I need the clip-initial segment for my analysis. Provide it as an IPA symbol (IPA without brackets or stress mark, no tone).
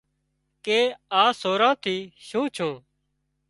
k